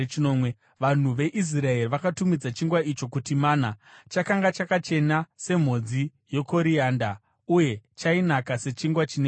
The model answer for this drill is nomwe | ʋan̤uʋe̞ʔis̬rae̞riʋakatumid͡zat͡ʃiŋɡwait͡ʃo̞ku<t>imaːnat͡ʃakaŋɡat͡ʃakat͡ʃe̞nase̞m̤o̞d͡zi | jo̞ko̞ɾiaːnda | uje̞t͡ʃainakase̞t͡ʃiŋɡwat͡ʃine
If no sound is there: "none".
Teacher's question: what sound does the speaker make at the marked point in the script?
t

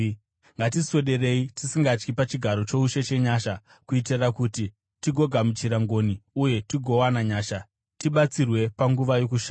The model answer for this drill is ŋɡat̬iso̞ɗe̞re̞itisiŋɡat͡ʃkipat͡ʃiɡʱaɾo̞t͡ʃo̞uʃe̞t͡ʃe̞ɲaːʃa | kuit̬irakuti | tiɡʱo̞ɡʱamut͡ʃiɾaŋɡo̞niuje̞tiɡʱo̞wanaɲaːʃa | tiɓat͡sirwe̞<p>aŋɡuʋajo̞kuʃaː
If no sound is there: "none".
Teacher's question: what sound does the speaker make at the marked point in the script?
p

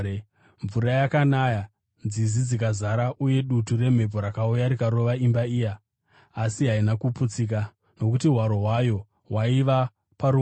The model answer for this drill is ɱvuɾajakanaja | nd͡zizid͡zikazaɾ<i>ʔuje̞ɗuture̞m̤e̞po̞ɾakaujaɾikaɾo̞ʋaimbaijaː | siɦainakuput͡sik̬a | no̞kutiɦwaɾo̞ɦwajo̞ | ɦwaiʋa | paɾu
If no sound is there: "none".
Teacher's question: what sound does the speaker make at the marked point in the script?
a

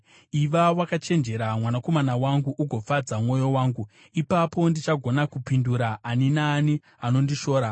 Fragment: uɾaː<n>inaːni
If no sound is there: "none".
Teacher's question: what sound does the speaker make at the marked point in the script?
n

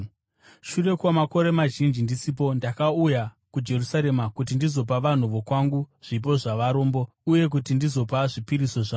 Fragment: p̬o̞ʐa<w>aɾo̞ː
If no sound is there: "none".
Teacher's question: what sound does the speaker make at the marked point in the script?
ʋ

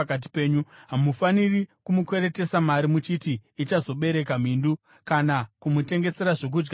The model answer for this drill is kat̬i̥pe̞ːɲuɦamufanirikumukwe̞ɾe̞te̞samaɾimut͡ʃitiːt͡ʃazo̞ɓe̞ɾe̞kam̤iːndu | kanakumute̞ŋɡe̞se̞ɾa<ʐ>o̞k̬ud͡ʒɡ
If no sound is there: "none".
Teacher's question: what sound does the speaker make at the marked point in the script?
ʐ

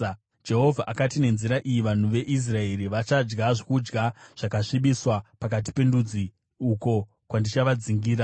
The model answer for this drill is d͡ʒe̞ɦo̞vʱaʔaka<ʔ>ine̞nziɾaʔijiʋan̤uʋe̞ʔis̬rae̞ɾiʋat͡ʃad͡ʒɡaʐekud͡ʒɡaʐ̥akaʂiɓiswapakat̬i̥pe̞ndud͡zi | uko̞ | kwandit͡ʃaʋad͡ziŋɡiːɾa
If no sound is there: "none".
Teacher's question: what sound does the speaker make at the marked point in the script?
t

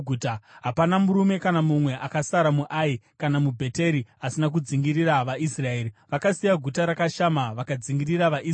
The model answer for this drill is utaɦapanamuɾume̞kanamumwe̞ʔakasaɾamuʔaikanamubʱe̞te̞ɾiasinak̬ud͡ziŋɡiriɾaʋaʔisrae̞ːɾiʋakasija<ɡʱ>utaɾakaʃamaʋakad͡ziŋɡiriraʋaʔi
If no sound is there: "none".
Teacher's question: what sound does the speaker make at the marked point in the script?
ɡʱ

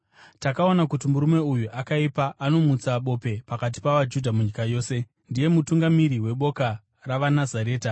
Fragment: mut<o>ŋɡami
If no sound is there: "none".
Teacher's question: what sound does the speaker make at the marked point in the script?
u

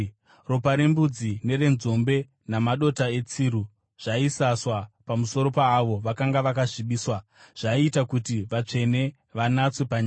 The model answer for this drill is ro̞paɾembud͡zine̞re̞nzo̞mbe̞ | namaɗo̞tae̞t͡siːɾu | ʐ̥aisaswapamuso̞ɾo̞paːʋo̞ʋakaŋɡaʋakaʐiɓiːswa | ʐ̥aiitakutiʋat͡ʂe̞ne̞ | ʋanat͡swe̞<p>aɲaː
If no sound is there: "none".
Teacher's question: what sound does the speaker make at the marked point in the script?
p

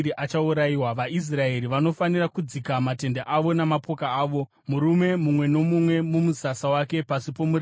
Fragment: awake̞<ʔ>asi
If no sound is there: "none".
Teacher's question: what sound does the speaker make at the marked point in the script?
p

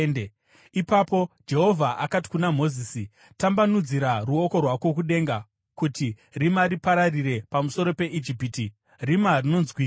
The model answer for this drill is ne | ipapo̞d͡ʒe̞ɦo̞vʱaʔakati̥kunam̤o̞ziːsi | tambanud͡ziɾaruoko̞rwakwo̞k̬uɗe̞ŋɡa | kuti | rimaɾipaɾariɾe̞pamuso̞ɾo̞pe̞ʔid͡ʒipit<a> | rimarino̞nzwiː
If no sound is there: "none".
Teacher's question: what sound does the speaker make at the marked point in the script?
i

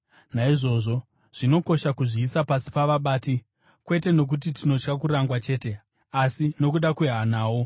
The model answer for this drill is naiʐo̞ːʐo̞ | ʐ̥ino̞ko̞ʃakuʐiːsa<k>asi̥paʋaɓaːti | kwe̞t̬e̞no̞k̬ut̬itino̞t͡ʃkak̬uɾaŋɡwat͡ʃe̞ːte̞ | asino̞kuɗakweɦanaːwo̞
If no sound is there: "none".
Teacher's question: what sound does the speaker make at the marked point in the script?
p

